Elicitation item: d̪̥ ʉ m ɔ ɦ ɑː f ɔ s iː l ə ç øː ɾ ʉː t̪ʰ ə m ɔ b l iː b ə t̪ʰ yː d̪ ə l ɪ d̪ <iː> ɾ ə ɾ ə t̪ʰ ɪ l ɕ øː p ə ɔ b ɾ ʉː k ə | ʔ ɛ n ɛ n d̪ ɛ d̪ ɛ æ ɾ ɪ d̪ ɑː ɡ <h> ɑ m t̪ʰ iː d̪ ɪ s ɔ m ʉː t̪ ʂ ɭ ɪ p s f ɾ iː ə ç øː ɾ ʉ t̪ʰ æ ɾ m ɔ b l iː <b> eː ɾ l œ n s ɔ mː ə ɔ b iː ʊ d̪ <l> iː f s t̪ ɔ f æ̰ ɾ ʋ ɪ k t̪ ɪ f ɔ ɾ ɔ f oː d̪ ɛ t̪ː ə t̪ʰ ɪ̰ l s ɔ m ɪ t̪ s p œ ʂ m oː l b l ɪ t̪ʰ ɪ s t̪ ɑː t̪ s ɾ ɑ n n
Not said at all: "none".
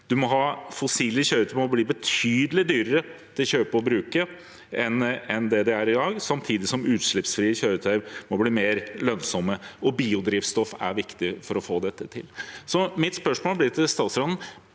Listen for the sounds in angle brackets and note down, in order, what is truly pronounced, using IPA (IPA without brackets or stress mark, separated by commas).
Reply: yː, s, m, ɾ